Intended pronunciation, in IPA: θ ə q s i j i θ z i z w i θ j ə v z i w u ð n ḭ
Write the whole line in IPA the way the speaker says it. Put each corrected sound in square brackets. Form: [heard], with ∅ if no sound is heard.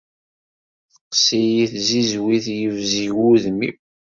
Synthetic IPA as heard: θ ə q s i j i θ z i z w i θ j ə v z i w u ð [m] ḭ